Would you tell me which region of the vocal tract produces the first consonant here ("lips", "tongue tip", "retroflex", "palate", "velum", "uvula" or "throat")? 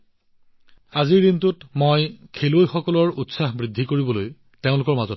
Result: tongue tip